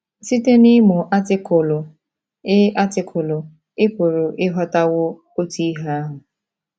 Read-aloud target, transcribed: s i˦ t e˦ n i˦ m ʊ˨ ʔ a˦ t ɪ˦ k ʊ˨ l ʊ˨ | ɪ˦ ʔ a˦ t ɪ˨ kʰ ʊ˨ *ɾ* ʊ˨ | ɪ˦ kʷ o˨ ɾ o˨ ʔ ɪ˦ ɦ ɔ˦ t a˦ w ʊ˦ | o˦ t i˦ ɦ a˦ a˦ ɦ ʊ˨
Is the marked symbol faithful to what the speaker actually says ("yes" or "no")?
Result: no